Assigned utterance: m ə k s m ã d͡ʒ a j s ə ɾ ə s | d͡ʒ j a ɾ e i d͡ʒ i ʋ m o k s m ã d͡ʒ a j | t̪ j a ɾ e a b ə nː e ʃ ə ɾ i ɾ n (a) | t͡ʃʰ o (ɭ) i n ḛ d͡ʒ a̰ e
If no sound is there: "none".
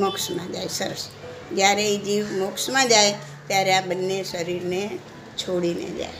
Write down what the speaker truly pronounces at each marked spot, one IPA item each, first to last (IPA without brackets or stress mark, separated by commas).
e, ɽ